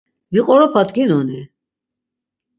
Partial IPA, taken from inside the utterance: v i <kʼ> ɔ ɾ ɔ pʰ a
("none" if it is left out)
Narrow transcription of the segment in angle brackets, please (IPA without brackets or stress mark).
qʼ